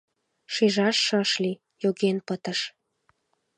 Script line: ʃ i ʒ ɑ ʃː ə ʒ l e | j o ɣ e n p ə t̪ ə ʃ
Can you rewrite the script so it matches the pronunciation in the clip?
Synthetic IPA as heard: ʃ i ʒ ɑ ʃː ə ʃ l i | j o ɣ e n p ə t̪ ə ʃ